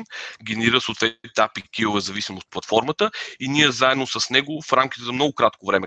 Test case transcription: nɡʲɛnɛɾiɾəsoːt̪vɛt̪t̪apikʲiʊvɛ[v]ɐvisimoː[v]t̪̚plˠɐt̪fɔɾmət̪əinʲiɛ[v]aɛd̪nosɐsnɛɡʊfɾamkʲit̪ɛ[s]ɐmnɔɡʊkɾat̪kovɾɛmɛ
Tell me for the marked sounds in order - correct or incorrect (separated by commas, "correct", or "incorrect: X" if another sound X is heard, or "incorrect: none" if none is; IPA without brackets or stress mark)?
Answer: incorrect: z, incorrect: none, incorrect: z, incorrect: z